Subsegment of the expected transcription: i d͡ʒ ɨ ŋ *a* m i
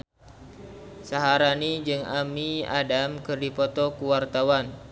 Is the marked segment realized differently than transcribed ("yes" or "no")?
no